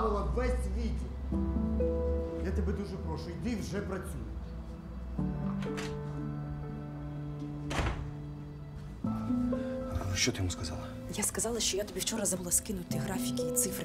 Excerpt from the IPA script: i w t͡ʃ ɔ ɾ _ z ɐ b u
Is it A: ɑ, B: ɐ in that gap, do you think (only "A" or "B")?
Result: B